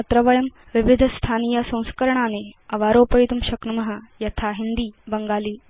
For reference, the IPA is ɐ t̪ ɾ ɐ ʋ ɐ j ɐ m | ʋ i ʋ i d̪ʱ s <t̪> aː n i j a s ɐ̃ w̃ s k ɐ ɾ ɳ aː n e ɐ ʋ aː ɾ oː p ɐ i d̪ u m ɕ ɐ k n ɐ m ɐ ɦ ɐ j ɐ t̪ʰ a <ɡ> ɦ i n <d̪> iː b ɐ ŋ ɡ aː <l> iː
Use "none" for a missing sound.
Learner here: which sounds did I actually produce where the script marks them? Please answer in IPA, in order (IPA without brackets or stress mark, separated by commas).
t̪ʰ, none, d̪, l